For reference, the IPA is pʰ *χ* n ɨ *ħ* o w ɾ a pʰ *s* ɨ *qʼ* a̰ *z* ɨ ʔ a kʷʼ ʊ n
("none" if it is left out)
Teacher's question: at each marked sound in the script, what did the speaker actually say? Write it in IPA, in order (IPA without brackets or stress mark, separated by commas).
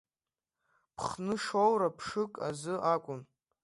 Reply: χ, ʂ, ʂ, kʼ, z